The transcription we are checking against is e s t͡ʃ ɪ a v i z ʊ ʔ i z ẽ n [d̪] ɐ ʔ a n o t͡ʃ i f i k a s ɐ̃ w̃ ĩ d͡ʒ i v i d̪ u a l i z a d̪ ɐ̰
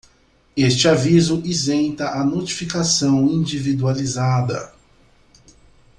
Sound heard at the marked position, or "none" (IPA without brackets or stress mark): t̪